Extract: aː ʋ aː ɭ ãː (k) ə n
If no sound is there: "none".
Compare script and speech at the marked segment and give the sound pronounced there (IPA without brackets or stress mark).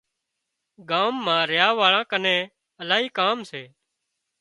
k